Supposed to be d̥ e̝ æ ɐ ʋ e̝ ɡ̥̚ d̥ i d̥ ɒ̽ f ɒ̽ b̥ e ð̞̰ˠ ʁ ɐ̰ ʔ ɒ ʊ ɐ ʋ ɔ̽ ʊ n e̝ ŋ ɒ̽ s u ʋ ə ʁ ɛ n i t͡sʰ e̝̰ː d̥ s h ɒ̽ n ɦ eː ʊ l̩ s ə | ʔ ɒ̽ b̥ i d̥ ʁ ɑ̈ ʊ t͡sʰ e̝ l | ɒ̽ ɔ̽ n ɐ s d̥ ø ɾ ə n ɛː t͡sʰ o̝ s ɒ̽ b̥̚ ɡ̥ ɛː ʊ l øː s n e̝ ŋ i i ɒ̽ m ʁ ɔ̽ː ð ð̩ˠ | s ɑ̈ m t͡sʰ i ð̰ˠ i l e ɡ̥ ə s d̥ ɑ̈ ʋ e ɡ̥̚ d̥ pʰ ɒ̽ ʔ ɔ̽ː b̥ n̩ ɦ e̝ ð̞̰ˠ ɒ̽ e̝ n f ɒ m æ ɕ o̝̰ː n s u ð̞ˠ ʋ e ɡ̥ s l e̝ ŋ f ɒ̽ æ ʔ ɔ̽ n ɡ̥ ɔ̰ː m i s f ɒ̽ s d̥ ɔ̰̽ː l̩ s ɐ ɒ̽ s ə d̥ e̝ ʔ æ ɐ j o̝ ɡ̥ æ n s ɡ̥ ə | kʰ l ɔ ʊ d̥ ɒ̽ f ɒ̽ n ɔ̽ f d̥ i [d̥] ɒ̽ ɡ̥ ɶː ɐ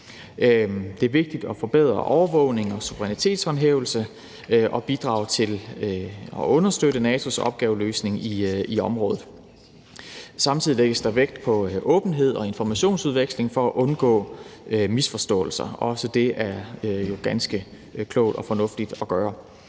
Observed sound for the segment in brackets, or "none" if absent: d̥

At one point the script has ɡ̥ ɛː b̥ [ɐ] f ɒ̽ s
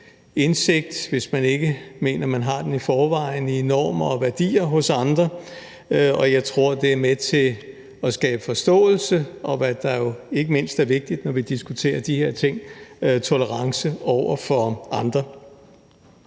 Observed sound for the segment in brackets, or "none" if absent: ə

